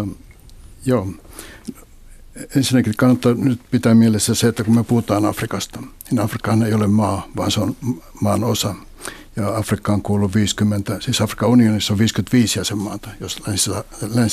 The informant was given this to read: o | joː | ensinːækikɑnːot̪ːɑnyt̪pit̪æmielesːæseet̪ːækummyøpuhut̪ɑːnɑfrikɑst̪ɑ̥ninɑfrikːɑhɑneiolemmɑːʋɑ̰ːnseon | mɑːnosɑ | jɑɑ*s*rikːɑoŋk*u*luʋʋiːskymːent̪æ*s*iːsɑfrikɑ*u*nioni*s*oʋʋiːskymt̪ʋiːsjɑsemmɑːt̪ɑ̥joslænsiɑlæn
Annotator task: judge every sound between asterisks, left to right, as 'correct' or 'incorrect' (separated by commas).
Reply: incorrect, incorrect, correct, correct, incorrect